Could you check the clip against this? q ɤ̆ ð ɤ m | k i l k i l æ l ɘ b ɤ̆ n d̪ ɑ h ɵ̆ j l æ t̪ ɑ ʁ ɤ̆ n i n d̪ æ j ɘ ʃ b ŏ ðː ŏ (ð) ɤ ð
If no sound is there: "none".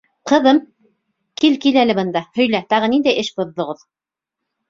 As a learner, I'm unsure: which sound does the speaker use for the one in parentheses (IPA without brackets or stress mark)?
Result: ʁ